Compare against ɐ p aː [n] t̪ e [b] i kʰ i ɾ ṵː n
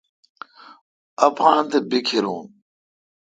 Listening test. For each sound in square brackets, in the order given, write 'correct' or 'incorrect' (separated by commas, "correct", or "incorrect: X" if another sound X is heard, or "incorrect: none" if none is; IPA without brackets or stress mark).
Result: correct, correct